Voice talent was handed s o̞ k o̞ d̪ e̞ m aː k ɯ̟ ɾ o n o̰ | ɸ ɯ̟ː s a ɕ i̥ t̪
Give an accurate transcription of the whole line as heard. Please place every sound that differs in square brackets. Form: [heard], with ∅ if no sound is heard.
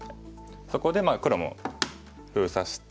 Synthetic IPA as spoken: s o̞ k o̞ d̪ e̞ m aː k ɯ̟ ɾ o [m] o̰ | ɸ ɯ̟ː s a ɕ i̥ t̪